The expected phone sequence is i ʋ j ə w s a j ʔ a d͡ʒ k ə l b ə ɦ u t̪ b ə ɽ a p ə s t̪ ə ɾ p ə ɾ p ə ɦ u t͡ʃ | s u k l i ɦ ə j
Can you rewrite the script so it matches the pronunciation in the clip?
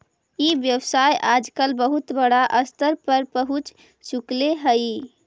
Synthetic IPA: i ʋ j ə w s a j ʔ a d͡ʒ k ə l b ə ɦ u t̪ b ə ɽ a ʔ ə s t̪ ə ɾ p ə ɾ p ə ɦ u t͡ʃ | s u k l e ɦ ə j